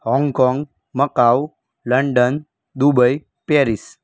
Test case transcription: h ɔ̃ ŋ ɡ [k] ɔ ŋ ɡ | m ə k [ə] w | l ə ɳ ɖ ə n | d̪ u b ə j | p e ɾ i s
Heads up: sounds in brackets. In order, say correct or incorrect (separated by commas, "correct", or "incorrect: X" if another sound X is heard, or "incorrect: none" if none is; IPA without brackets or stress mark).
correct, incorrect: a